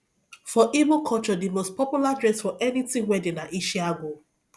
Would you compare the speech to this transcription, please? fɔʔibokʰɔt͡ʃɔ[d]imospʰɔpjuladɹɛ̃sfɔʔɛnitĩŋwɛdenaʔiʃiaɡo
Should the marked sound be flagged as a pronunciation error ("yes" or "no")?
no